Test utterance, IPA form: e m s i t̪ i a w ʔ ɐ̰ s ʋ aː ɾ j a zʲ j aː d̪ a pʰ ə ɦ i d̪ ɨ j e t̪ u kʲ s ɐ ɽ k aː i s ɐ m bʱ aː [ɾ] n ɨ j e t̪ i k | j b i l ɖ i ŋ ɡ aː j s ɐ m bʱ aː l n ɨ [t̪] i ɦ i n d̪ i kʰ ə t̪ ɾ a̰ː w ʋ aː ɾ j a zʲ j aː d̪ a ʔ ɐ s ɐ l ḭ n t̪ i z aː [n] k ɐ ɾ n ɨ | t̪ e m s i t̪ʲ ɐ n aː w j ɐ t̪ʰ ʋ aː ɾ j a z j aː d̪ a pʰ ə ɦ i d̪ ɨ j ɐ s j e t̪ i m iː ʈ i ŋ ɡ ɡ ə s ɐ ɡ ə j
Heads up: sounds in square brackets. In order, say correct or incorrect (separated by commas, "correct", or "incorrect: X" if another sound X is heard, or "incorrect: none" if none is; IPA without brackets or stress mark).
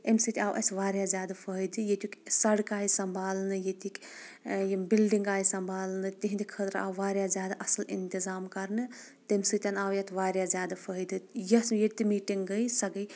incorrect: l, correct, incorrect: m